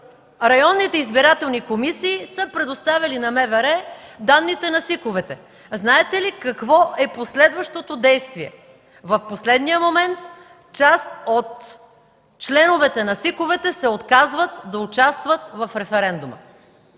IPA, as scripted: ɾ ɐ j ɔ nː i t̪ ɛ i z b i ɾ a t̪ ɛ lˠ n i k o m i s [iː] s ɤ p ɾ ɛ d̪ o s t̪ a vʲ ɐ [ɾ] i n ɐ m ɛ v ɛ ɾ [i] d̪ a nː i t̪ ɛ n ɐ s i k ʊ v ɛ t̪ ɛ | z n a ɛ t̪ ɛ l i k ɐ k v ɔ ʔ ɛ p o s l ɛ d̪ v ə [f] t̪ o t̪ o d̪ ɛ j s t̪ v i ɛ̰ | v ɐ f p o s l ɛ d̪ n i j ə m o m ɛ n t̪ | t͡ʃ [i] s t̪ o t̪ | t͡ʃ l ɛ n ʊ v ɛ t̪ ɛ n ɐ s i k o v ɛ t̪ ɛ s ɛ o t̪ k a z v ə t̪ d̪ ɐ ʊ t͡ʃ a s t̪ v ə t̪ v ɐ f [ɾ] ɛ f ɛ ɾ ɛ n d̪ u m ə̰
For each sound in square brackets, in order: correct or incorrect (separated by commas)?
correct, incorrect, incorrect, incorrect, incorrect, correct